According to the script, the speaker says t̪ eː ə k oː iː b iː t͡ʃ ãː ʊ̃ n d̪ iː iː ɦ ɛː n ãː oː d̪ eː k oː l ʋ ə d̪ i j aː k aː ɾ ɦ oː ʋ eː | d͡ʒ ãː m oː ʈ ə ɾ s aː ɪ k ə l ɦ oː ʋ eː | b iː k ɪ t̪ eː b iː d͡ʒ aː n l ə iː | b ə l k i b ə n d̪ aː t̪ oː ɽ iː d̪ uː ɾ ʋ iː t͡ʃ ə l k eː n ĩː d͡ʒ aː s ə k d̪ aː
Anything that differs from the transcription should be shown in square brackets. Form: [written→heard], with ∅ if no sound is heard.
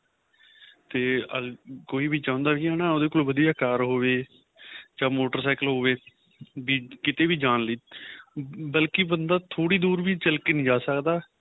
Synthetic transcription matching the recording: t̪ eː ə k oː iː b iː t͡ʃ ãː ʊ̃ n d̪ [iː→aː] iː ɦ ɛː n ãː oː d̪ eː k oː l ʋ ə d̪ i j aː k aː ɾ ɦ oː ʋ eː | d͡ʒ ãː m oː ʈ ə ɾ s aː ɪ k ə l ɦ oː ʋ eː | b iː k ɪ t̪ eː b iː d͡ʒ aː n l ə iː | b ə l k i b ə n d̪ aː [t̪→t̪ʰ] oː ɽ iː d̪ uː ɾ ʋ iː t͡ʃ ə l k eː n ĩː d͡ʒ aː s ə k d̪ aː